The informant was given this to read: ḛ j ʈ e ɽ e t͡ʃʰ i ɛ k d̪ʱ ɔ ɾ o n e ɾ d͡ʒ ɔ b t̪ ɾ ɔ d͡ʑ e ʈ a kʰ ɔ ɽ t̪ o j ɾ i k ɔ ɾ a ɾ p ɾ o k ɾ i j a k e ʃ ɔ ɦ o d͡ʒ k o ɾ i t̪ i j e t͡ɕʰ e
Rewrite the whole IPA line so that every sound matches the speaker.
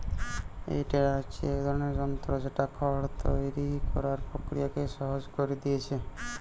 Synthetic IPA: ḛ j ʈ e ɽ a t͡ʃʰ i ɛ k d̪ʱ ɔ ɾ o n e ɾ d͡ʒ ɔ m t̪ ɾ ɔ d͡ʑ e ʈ a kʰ ɔ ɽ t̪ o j ɾ i k ɔ ɾ a ɾ p ɾ o k ɾ i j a k e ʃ ɔ ɦ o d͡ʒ k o ɾ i d̪ i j e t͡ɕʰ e